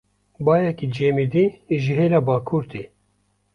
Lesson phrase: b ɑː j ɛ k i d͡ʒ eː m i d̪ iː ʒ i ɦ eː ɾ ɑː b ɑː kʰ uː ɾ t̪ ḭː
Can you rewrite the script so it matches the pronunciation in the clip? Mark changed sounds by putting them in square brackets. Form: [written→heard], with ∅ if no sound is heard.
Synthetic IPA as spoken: b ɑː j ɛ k i d͡ʒ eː m i d̪ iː ʒ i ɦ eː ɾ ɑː b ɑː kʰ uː ɾ t̪ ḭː